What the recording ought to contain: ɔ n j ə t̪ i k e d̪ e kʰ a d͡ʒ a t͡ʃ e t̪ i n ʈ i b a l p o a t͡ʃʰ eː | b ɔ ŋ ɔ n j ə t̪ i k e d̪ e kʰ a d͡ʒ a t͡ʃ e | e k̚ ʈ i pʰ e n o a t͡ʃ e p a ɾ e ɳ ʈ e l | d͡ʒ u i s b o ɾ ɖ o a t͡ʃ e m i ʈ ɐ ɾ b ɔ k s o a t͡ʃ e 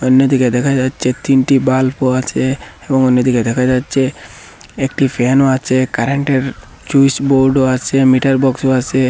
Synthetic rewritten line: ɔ n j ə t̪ i k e d̪ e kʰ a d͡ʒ a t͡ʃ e t̪ i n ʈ i b a l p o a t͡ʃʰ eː | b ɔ ŋ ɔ n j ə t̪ i k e d̪ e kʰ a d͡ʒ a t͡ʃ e | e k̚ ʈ i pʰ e n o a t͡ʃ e k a ɾ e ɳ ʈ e ɾ | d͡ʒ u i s b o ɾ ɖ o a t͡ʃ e m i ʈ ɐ ɾ b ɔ k s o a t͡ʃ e

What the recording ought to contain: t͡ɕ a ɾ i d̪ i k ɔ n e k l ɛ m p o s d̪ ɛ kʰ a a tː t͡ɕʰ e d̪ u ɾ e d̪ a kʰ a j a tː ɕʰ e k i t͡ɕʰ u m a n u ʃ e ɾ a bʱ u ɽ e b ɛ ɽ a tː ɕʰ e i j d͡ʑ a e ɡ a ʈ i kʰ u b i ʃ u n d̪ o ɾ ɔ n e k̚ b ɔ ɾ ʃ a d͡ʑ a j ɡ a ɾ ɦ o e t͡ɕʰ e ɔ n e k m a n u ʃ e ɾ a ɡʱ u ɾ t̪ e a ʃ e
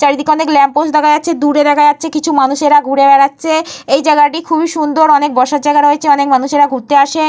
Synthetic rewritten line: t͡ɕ a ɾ i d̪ i k ɔ n e k l ɛ m p o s d̪ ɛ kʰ a a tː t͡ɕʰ e d̪ u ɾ e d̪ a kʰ a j a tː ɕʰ e k i t͡ɕʰ u m a n u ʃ e ɾ a ɡʱ u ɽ e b ɛ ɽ a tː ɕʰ e e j d͡ʑ a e ɡ a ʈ i kʰ u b i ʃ u n d̪ o ɾ ɔ n e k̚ b ɔ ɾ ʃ a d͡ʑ a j ɡ a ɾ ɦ o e t͡ɕʰ e ɔ n e k m a n u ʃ e ɾ a ɡʱ u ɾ t̪ e a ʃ e

